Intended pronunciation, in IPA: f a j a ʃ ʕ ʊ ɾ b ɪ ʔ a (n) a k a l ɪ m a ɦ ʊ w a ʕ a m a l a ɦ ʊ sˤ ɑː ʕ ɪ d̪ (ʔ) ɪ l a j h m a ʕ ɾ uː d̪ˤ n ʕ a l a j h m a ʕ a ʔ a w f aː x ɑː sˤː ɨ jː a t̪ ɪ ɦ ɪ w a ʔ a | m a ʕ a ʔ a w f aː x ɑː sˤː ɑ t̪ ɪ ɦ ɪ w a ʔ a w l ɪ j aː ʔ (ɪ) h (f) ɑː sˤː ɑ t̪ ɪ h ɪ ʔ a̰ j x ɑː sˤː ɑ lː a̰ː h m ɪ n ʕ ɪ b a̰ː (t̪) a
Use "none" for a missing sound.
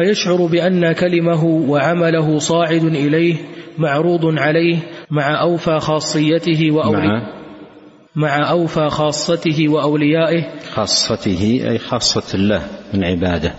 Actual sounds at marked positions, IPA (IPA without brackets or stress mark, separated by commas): nː, ʔ, ɪ, x, d̪